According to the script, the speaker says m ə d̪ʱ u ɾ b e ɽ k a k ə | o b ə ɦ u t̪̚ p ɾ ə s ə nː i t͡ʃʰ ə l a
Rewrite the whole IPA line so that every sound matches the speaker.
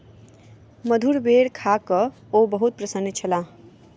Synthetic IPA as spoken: m ə d̪ʱ u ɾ b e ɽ kʰ a k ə | o b ə ɦ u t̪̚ p ɾ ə s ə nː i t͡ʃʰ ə l a